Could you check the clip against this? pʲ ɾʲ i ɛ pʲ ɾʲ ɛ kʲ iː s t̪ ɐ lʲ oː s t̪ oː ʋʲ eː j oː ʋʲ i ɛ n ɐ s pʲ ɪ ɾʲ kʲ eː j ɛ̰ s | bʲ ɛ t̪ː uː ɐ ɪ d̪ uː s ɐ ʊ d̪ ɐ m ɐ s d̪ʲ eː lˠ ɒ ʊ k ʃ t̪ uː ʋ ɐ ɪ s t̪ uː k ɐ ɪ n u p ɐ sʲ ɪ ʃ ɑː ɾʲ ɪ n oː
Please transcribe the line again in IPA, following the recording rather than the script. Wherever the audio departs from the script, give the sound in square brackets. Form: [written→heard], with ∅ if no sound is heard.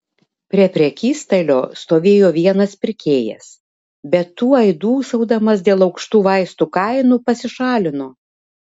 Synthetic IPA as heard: pʲ ɾʲ i ɛ pʲ ɾʲ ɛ kʲ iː s t̪ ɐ lʲ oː s t̪ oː ʋʲ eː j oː ʋʲ i ɛ n ɐ s pʲ ɪ ɾʲ kʲ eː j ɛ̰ s | bʲ ɛ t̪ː uː ɐ ɪ d̪ uː s ɐ ʊ d̪ ɐ m ɐ s d̪ʲ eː lˠ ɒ ʊ k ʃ t̪ uː ʋ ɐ ɪ s t̪ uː k ɐ ɪ n u p ɐ sʲ ɪ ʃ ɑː [ɾʲ→lʲ] ɪ n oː